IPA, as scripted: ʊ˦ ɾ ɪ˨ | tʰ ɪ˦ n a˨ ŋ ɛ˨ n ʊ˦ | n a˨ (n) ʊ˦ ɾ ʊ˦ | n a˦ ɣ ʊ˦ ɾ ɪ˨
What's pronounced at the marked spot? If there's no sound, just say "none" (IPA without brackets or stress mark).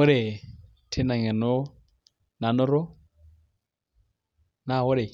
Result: n